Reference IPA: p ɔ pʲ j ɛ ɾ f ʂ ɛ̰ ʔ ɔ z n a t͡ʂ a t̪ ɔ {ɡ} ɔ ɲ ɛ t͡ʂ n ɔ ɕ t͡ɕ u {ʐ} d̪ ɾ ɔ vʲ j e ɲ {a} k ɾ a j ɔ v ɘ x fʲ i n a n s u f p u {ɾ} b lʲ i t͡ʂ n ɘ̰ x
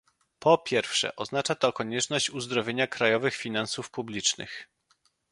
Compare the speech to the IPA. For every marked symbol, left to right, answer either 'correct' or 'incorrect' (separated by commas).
incorrect, incorrect, correct, incorrect